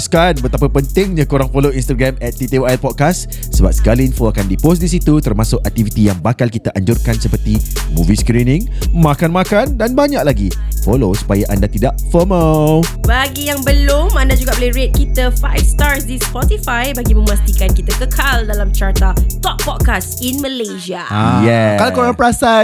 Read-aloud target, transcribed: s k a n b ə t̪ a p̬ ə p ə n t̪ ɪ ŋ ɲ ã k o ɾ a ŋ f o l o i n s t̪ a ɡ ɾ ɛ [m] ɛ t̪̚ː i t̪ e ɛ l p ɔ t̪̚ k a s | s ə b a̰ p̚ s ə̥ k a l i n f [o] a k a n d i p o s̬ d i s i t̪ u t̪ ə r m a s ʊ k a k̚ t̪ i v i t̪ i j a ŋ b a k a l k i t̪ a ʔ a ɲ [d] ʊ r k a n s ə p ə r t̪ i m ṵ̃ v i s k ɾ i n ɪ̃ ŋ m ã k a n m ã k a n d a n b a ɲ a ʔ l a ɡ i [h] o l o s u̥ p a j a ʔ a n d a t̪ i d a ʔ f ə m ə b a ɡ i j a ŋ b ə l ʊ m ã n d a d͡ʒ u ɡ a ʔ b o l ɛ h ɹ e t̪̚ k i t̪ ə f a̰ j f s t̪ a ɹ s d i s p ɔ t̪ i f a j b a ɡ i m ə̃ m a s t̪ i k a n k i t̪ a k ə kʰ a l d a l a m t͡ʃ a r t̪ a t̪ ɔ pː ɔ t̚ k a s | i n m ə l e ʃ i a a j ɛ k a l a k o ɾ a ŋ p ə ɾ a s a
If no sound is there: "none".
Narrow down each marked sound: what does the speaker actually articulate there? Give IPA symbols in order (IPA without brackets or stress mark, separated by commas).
m, o, d͡ʒ, f